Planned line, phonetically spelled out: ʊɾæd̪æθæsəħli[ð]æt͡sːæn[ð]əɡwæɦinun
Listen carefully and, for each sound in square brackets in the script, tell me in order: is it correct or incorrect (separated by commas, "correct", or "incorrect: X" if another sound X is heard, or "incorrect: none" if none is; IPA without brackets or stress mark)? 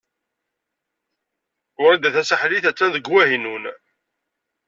incorrect: θ, correct